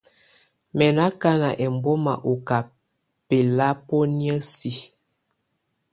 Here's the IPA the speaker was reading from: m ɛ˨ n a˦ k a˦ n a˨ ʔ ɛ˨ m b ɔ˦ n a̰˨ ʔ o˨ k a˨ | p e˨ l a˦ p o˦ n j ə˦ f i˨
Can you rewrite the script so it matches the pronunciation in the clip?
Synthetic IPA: m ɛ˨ n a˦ k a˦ n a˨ ʔ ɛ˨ m b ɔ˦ m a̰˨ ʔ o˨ k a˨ | p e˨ l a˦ p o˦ n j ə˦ s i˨

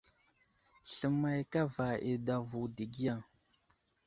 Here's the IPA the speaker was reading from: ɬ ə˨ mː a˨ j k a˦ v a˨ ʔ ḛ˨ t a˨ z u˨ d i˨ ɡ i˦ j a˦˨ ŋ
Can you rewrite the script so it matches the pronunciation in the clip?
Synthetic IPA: ɬ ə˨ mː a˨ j k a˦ v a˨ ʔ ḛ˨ d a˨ v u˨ d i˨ ɡ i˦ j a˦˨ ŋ

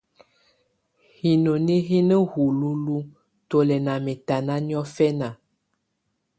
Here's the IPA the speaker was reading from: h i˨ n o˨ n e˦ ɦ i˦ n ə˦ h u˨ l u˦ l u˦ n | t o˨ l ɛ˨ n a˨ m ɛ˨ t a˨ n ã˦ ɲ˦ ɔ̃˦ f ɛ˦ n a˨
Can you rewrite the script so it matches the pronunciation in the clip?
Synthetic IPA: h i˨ n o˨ n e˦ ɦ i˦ n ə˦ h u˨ l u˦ l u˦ | t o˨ l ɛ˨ n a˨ m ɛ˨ t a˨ n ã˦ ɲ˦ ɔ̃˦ f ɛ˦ n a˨

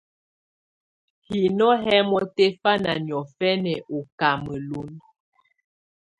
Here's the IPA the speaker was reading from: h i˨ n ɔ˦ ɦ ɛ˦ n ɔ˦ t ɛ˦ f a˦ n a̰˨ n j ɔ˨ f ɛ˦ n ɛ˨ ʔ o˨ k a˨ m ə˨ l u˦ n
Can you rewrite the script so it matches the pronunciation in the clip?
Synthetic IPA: h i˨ n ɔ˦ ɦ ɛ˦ m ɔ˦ t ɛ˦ f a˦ n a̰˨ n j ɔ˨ f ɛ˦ n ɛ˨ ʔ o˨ k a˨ m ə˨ l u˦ n

